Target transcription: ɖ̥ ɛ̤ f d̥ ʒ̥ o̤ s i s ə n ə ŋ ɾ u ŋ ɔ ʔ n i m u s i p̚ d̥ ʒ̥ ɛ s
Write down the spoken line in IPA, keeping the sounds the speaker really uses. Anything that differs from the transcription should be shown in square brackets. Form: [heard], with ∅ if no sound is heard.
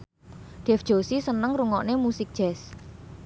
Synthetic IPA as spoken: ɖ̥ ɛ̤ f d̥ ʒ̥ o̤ s i s ə n ə ŋ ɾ u ŋ ɔ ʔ n [e] m u s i [k̚] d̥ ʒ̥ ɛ s